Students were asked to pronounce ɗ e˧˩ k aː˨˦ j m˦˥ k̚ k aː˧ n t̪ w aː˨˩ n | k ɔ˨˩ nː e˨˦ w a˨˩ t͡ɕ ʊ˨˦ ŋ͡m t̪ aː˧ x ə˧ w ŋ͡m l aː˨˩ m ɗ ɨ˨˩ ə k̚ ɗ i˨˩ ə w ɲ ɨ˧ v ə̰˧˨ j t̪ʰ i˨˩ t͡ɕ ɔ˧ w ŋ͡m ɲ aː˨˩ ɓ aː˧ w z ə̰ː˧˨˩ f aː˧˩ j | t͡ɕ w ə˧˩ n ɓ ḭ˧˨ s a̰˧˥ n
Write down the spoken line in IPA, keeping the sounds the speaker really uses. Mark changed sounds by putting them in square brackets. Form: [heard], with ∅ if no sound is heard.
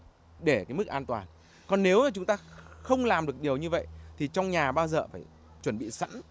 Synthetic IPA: ɗ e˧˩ k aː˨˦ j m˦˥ k̚ [ʔ] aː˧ n t̪ w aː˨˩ n | k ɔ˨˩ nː e˨˦ w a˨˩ t͡ɕ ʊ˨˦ ŋ͡m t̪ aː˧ x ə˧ w ŋ͡m l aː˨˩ m ɗ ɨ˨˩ ə k̚ ɗ i˨˩ ə w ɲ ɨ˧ v ə̰˧˨ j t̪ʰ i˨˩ t͡ɕ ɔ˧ w ŋ͡m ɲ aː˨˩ ɓ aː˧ w z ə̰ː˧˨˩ f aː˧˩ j | t͡ɕ w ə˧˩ n ɓ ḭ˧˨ s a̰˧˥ n

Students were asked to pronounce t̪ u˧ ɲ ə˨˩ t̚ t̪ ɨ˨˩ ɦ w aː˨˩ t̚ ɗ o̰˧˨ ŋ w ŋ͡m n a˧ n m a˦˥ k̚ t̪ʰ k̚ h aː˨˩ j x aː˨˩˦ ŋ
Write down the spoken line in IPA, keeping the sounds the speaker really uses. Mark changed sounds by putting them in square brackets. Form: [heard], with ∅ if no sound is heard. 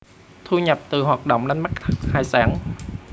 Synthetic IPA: [t̪ʰ] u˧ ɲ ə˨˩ [p̚] t̪ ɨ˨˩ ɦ w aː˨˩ t̚ ɗ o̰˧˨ [∅] w ŋ͡m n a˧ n m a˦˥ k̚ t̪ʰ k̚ h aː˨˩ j [s] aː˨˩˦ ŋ

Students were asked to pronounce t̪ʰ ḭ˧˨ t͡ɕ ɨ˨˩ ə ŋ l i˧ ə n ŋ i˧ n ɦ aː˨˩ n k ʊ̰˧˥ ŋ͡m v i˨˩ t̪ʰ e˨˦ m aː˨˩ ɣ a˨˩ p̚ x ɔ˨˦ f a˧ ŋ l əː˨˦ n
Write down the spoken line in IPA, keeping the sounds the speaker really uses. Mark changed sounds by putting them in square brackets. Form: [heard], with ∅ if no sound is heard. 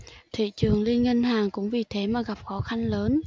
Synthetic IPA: t̪ʰ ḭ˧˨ t͡ɕ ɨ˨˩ ə ŋ l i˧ ə n ŋ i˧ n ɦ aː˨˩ [ŋ] k ʊ̰˧˥ ŋ͡m v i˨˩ t̪ʰ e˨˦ m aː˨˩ ɣ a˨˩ p̚ x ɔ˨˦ [x] a˧ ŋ l əː˨˦ n

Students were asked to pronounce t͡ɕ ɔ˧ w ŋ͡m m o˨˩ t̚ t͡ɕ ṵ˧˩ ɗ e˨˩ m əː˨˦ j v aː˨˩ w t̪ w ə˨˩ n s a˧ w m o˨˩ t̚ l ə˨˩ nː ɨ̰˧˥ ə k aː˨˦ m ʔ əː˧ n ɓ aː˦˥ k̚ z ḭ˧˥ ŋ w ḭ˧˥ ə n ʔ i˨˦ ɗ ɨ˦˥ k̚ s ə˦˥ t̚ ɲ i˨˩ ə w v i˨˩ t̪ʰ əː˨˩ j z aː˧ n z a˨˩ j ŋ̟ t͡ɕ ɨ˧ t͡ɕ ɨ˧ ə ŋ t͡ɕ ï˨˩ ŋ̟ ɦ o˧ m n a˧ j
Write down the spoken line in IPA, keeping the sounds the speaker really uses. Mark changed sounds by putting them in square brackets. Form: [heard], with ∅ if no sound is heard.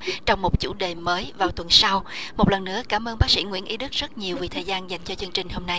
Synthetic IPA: t͡ɕ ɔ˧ w ŋ͡m m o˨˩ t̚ t͡ɕ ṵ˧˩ ɗ e˨˩ m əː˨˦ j v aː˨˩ w t̪ w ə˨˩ n s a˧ w m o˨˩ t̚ l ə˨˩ nː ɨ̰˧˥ ə k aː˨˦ m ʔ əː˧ n ɓ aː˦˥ k̚ [s] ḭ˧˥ ŋ w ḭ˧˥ ə n ʔ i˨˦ ɗ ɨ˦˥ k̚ [z] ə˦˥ t̚ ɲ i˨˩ ə w v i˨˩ t̪ʰ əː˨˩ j z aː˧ n z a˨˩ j ŋ̟ t͡ɕ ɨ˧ t͡ɕ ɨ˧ ə ŋ t͡ɕ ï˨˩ ŋ̟ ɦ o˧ m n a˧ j

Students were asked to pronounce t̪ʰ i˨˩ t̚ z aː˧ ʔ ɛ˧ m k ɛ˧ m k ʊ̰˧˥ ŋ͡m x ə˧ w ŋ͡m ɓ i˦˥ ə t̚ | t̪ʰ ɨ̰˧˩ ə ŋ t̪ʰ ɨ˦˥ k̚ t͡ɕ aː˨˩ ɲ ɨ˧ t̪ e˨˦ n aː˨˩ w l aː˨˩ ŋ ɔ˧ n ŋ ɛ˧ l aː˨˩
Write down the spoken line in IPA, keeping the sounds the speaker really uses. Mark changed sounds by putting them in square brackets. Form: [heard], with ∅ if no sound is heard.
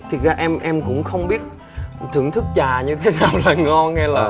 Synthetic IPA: t̪ʰ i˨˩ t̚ z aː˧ ʔ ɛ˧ m [ʔ] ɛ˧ m k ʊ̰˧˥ ŋ͡m x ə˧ w ŋ͡m ɓ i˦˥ ə t̚ | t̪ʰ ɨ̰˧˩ ə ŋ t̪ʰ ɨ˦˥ k̚ t͡ɕ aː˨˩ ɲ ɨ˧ [t̪ʰ] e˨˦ n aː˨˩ w l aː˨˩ ŋ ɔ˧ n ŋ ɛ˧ l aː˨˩

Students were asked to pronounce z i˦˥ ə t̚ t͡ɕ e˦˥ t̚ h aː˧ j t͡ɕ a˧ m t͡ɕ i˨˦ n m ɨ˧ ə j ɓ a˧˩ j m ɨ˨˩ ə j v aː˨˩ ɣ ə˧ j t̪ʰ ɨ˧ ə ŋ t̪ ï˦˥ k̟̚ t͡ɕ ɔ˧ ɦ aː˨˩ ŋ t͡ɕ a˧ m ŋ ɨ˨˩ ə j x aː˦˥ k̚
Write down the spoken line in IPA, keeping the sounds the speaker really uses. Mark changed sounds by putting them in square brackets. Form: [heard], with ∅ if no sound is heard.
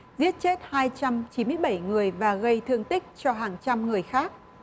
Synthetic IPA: z i˦˥ ə t̚ t͡ɕ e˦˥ t̚ h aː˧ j t͡ɕ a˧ m t͡ɕ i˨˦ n m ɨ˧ ə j ɓ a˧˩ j [ŋ] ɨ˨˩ ə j v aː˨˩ ɣ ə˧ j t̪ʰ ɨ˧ ə ŋ t̪ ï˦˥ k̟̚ t͡ɕ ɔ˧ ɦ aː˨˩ ŋ t͡ɕ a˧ m ŋ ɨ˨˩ ə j x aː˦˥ k̚

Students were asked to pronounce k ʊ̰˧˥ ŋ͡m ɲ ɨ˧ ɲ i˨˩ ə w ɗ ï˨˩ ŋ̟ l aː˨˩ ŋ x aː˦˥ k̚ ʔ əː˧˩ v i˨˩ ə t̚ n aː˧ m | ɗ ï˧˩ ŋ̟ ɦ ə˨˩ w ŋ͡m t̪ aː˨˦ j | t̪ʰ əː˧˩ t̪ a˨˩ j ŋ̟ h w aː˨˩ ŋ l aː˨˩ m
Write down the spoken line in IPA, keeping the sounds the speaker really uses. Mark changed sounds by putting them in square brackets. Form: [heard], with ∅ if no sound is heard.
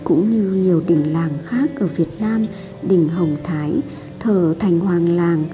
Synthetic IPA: k ʊ̰˧˥ ŋ͡m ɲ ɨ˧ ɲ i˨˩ ə w ɗ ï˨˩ ŋ̟ l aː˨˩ ŋ x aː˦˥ k̚ ʔ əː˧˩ v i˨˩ ə t̚ n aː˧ m | ɗ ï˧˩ ŋ̟ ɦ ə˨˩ w ŋ͡m [t̪ʰ] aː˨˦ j | t̪ʰ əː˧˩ [t̪ʰ] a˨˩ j ŋ̟ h w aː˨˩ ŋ l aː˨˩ [ŋ]

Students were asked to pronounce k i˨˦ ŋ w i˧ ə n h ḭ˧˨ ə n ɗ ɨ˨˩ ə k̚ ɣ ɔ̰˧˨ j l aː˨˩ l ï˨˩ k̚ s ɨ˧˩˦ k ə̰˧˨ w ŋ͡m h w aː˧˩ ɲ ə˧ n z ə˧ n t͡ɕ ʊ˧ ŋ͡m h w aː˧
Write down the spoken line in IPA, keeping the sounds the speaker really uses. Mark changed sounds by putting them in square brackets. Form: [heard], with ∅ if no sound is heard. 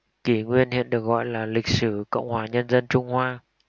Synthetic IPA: k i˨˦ ŋ w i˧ ə n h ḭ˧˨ ə n ɗ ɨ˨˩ ə k̚ ɣ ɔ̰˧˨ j l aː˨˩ l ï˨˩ k̚ s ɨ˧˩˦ k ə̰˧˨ w ŋ͡m h w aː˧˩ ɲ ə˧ n z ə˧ n t͡ɕ ʊ˧ ŋ͡m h w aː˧

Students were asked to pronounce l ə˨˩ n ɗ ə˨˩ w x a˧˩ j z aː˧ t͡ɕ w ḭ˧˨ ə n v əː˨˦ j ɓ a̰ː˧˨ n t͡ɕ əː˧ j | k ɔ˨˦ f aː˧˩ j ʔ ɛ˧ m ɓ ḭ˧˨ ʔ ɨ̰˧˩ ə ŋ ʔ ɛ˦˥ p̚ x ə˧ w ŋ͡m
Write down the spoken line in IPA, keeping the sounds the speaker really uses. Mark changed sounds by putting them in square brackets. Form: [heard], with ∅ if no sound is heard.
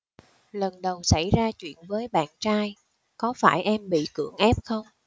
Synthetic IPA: l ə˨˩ n ɗ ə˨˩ w [s] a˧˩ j z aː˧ t͡ɕ w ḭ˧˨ ə n v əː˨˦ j ɓ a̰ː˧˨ n t͡ɕ [aː˧] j | k ɔ˨˦ f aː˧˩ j ʔ ɛ˧ m ɓ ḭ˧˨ [k] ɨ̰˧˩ ə ŋ ʔ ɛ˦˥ p̚ x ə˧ w ŋ͡m

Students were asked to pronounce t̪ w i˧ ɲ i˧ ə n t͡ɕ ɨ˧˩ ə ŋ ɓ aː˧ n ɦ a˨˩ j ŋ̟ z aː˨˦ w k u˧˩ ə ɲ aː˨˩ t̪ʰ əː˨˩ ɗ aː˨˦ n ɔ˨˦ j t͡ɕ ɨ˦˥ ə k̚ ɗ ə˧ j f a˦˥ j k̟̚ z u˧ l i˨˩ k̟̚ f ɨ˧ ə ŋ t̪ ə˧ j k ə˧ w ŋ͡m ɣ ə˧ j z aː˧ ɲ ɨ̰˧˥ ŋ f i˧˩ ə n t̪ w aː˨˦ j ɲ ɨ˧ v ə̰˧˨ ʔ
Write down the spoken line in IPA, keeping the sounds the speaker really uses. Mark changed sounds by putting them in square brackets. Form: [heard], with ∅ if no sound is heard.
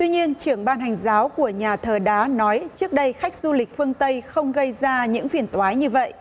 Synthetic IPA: t̪ w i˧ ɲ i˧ ə n t͡ɕ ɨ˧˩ ə ŋ ɓ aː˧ n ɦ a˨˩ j ŋ̟ z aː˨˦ w k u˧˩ ə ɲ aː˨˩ t̪ʰ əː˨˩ ɗ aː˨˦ n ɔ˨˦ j t͡ɕ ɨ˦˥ ə k̚ ɗ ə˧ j [x] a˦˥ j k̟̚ z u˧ l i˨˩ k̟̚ f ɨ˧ ə ŋ t̪ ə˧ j [x] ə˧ w ŋ͡m ɣ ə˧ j z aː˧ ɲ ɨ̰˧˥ ŋ f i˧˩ ə n t̪ w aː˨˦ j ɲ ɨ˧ v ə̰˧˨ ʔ

